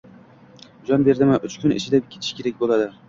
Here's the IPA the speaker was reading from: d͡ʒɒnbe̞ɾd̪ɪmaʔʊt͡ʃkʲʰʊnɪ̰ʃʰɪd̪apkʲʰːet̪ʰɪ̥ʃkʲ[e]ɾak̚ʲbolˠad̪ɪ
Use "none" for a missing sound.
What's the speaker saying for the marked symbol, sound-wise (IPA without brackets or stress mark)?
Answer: e